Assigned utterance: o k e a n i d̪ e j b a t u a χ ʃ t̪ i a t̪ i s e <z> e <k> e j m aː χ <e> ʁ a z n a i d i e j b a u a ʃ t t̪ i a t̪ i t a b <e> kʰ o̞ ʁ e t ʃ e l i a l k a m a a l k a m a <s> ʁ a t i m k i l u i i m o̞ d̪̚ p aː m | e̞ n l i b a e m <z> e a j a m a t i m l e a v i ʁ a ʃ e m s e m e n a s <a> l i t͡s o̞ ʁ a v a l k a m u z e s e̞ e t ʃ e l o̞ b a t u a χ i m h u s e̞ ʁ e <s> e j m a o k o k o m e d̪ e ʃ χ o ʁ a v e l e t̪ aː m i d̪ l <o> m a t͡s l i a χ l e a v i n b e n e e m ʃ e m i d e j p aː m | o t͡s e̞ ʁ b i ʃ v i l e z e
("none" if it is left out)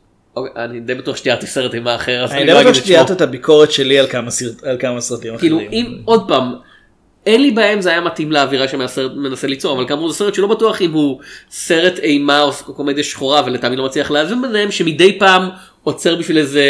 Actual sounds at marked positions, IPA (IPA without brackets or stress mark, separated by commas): ʁ, t, e, i, s, z, e, t, o